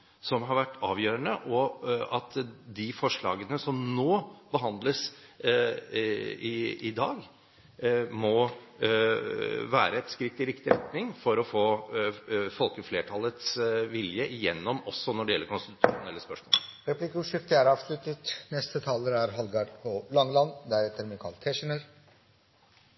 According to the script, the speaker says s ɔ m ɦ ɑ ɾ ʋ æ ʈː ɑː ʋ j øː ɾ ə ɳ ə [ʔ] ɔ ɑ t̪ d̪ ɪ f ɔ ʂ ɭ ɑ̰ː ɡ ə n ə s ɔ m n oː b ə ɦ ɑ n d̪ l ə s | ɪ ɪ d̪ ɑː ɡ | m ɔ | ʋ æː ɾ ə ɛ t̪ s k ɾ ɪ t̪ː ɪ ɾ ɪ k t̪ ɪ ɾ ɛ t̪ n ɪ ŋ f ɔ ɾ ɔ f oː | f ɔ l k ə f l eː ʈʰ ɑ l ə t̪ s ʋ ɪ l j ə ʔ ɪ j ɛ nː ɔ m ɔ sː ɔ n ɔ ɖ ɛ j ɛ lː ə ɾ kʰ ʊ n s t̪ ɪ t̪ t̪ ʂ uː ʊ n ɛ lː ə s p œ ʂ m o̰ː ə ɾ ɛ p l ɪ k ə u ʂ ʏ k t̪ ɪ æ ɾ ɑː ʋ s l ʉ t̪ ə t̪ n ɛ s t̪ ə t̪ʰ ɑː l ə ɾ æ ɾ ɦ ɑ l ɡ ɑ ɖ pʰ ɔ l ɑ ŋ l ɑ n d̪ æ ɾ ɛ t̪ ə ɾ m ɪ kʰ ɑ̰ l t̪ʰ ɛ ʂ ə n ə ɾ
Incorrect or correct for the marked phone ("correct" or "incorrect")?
correct